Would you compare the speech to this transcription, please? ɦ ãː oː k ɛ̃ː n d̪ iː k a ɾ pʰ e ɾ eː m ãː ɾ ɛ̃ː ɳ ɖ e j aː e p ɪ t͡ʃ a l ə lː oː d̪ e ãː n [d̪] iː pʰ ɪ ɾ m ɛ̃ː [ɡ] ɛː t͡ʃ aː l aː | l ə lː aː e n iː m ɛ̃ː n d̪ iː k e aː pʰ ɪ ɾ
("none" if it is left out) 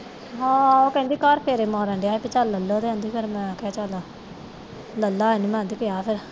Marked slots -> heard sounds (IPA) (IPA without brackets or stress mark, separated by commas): d̪, k